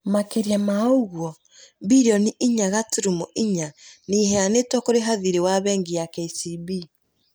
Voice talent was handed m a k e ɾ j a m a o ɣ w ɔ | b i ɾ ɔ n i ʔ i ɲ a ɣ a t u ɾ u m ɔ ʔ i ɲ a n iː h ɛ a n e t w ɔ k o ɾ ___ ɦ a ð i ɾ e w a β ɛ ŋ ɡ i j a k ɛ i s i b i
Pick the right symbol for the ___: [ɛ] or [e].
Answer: e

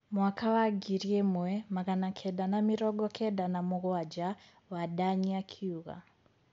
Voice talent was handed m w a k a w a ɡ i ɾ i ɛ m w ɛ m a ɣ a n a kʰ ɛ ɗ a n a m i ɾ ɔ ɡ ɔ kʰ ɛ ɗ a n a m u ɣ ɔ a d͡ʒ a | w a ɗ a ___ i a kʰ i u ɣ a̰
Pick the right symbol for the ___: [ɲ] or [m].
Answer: ɲ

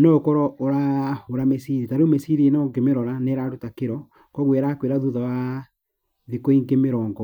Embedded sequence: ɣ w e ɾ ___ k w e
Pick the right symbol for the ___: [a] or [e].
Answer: a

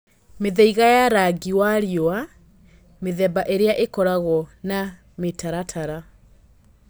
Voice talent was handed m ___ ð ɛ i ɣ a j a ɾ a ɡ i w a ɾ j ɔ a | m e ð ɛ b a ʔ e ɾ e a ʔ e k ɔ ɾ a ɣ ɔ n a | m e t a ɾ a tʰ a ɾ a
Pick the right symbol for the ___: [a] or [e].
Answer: e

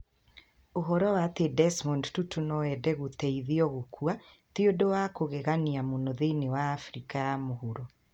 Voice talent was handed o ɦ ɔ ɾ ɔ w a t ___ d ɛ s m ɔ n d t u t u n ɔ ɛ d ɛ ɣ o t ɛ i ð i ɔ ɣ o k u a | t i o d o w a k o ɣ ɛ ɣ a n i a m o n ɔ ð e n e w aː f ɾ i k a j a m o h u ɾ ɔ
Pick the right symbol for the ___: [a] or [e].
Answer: e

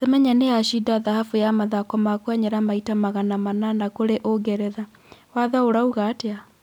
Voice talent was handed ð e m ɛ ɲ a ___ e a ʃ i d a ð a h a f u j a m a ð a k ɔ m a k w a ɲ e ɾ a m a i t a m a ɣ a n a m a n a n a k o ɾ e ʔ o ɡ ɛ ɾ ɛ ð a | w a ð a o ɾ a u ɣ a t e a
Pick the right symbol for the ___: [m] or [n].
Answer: n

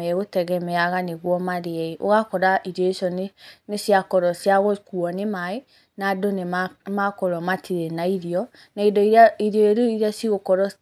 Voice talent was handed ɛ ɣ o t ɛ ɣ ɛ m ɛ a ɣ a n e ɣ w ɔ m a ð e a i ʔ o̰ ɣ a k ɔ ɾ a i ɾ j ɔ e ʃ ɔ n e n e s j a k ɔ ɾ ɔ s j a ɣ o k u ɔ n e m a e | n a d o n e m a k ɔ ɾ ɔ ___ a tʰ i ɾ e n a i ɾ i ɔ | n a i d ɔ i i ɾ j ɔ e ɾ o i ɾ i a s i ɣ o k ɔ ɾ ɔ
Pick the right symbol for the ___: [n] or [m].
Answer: m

